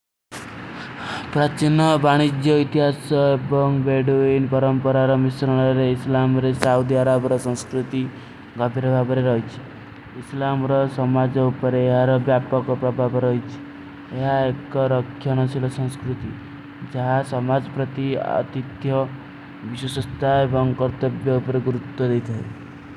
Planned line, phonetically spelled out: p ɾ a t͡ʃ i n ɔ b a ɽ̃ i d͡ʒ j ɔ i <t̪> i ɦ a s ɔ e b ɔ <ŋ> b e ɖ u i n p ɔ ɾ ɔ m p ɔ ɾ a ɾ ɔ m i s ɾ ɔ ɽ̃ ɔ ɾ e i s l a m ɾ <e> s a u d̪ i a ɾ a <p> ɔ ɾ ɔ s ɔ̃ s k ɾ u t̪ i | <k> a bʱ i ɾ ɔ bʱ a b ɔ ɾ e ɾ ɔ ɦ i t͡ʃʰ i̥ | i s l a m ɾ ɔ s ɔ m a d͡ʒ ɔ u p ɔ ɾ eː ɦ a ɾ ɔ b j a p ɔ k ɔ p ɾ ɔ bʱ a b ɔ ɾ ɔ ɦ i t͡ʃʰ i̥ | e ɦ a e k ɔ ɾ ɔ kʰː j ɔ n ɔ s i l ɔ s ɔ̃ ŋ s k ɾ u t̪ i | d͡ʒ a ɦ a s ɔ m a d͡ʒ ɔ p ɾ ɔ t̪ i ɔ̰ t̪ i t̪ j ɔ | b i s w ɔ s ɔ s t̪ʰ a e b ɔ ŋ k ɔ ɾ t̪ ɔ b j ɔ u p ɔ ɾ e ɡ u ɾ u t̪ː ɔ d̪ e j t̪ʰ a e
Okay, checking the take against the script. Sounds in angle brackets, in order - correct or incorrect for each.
correct, correct, correct, incorrect: b, incorrect: ɡ

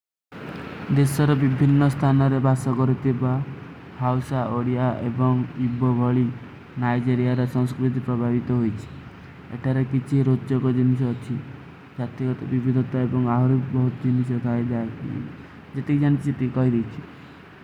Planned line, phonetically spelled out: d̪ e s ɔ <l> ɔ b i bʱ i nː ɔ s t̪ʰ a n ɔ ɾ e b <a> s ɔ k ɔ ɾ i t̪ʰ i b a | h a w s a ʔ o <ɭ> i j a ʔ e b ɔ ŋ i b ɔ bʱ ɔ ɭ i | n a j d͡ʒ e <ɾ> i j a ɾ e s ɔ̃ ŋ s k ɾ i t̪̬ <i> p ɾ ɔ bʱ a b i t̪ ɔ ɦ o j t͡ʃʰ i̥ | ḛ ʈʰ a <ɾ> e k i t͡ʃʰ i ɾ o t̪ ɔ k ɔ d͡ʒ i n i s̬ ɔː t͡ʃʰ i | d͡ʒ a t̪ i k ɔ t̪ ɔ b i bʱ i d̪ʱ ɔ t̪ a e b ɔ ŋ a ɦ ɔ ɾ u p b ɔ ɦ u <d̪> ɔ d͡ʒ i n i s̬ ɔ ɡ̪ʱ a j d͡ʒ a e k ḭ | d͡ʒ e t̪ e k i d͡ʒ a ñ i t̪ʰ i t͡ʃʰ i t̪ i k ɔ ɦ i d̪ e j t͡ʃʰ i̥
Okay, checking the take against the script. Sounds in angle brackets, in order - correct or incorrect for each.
incorrect: ɾ, correct, incorrect: ɽ, correct, correct, correct, incorrect: t̪

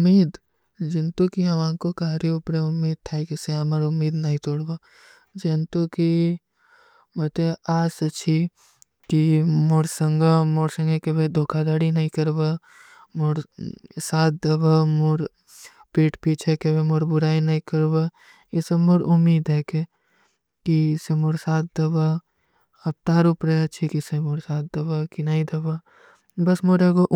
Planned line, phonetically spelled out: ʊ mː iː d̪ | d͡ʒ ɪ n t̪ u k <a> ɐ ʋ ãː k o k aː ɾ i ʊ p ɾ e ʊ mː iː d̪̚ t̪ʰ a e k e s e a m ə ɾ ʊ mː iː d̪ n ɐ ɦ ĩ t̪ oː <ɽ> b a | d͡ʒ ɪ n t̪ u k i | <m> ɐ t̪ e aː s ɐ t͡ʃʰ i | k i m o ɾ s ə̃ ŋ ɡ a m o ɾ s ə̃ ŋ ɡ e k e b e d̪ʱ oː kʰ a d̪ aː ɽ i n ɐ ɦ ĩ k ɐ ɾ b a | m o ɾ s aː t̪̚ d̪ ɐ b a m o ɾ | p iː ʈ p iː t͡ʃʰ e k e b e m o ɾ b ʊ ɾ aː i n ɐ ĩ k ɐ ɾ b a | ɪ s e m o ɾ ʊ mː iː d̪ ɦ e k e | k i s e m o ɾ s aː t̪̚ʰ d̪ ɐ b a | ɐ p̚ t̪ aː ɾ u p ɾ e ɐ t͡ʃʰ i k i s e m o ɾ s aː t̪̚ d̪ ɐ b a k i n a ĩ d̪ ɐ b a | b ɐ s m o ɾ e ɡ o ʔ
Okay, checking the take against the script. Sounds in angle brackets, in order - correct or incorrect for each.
incorrect: i, correct, correct

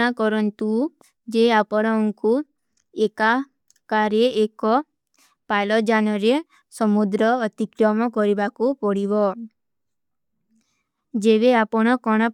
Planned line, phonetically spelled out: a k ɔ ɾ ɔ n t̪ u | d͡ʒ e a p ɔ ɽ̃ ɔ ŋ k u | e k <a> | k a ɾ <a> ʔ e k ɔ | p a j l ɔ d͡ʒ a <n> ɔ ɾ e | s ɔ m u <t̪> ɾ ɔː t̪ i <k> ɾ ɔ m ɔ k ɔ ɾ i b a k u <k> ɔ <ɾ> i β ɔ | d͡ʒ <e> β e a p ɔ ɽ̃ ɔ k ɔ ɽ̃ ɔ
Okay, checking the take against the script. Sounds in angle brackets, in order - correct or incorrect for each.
correct, incorrect: e, correct, incorrect: d̪, correct, incorrect: p, incorrect: ɽ, correct

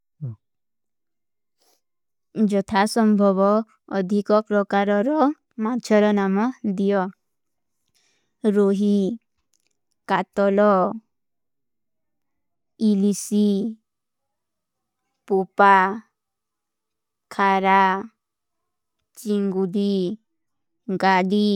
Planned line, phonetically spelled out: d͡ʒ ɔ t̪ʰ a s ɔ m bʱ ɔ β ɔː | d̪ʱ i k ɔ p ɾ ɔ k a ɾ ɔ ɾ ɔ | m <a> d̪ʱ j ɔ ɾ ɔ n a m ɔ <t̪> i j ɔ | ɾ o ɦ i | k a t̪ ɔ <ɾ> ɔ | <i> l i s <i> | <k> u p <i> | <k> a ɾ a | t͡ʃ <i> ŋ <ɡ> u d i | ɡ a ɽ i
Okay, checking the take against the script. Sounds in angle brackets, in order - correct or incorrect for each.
correct, incorrect: d̪, incorrect: l, correct, correct, incorrect: p, incorrect: a, incorrect: kʰ, correct, correct

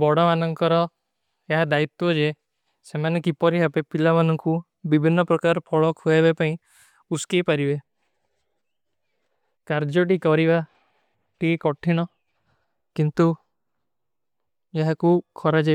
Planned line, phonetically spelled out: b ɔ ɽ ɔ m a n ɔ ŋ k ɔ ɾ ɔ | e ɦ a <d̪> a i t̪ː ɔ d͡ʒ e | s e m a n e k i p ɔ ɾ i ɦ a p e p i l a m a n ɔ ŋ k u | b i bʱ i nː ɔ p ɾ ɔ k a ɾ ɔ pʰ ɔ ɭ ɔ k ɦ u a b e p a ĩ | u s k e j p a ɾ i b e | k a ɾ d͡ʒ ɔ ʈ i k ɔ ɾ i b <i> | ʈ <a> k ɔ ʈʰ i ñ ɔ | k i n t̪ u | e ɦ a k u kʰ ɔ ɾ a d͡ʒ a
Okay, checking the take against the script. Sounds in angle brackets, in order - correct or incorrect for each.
correct, incorrect: a, incorrect: i

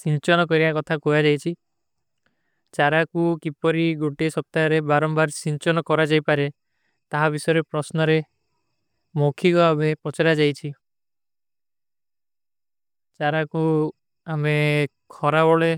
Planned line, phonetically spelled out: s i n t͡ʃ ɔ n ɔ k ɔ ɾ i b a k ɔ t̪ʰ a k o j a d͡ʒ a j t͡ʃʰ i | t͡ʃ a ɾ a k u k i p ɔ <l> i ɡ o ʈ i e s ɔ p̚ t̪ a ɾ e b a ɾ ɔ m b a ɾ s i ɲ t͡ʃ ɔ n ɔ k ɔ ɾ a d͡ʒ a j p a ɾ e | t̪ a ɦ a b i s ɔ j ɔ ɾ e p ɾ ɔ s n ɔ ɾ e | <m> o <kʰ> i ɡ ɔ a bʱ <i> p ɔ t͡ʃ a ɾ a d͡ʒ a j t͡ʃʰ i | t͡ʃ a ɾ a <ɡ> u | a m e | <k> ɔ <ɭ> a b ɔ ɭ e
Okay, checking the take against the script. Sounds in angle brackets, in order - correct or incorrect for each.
incorrect: ɾ, correct, correct, incorrect: e, incorrect: k, incorrect: kʰ, incorrect: ɾ

